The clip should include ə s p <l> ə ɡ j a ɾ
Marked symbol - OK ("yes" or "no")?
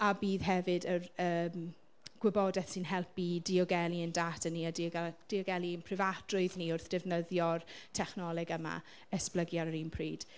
yes